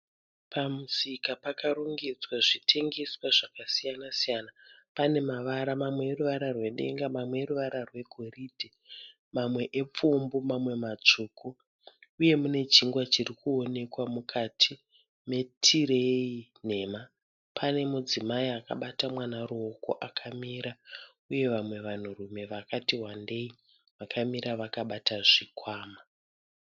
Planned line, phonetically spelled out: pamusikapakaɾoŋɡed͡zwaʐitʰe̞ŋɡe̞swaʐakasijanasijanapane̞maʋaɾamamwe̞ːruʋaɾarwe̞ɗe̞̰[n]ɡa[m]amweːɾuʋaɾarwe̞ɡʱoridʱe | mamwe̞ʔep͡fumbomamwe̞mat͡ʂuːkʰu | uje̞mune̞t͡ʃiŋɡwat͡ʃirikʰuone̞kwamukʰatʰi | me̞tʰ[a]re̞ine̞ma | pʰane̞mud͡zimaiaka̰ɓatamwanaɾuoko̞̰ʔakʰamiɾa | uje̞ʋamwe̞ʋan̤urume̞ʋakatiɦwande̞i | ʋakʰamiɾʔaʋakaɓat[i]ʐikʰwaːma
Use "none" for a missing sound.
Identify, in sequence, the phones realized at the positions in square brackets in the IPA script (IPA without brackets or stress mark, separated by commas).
ŋ, m, i, a